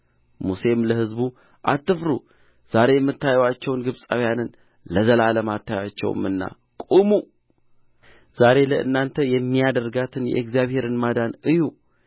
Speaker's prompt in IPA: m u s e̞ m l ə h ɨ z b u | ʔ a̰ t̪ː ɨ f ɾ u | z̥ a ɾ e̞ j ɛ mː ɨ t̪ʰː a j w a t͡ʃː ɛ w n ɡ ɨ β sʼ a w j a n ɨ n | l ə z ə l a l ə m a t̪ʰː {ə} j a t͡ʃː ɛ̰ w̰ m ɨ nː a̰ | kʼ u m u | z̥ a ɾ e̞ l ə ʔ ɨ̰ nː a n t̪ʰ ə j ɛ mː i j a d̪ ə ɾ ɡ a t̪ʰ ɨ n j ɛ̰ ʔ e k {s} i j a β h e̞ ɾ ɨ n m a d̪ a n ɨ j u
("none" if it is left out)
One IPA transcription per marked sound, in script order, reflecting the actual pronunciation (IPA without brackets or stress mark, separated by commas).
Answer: a, z